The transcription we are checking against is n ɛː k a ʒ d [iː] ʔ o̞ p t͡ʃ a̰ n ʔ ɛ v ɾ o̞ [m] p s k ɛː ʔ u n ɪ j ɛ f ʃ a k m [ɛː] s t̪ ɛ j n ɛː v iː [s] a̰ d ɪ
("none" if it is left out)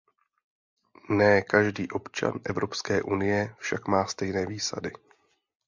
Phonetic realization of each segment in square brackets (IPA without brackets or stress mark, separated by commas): iː, none, aː, s